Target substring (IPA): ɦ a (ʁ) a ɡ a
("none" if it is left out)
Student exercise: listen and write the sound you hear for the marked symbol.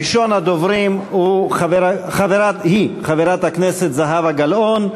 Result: v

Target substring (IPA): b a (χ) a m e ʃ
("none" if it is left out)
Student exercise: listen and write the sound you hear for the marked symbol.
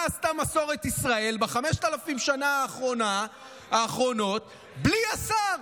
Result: χ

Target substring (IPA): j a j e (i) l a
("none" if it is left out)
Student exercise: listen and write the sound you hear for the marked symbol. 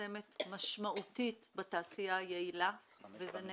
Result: i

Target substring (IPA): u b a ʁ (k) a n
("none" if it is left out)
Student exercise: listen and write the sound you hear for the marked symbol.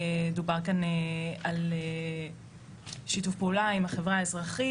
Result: k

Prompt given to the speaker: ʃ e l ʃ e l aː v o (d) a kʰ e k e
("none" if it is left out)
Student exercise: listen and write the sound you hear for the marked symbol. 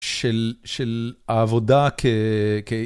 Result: d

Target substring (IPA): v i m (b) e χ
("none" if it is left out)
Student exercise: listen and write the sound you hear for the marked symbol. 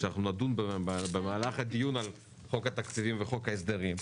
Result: v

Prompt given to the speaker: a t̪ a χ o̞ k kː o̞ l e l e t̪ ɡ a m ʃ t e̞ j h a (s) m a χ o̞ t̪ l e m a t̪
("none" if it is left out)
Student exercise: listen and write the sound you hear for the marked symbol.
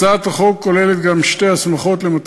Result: s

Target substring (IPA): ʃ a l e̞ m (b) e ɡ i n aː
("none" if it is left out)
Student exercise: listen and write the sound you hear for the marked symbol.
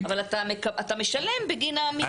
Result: b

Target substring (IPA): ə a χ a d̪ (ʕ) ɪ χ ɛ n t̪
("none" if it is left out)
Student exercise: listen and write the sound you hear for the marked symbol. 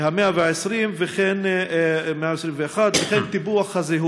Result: v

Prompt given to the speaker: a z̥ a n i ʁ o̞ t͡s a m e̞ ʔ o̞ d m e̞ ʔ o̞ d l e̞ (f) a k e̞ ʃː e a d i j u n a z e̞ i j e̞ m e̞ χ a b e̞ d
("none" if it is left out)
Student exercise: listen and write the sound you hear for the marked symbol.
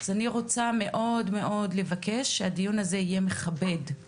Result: v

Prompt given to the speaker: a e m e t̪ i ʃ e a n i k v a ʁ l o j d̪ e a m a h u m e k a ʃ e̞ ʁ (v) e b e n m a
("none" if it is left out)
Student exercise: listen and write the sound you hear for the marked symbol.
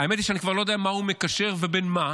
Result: v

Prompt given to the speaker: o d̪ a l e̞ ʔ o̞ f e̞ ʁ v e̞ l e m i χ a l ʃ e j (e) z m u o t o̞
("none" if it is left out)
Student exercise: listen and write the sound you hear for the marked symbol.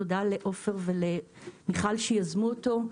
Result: a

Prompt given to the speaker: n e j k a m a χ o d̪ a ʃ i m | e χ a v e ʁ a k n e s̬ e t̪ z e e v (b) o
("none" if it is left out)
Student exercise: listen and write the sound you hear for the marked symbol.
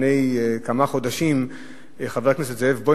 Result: b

